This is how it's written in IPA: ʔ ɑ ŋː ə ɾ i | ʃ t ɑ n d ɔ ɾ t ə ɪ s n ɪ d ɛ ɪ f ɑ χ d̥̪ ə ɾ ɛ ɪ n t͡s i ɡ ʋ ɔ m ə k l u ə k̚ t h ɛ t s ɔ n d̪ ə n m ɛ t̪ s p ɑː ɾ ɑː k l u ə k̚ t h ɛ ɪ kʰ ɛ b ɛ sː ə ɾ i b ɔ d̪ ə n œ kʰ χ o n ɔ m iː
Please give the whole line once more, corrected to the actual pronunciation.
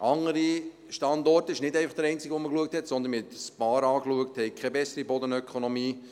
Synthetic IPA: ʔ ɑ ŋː ə ɾ i | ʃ t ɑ n d ɔ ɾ t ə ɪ ʃ n ɪ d ɛ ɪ f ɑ χ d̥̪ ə ɾ ɛ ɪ n t͡s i ɡ ʋ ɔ m ə k l u ə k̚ t h ɛ t s ɔ n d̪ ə n m ɛ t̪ s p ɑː ɾ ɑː k l u ə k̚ t h ɛ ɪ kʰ ɛ b ɛ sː ə ɾ i b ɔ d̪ ə n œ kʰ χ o n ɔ m iː